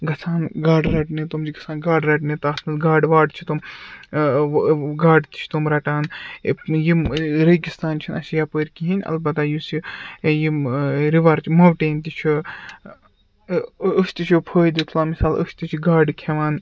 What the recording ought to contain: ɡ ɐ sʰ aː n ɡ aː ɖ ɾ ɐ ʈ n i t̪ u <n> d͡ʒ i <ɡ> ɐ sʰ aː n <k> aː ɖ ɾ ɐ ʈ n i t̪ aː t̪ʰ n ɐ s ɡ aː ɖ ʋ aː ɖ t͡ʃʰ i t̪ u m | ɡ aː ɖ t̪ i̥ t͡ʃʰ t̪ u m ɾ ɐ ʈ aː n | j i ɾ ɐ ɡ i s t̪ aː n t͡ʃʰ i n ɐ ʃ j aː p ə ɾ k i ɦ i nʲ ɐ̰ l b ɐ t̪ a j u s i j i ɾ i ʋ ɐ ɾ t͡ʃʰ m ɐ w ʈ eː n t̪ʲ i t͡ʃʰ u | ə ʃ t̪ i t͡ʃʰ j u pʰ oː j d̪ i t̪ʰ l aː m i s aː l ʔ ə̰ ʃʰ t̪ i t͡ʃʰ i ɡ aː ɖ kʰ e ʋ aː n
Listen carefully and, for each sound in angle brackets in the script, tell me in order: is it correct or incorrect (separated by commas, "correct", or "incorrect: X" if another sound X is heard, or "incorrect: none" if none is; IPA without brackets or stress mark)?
incorrect: m, correct, incorrect: ɡ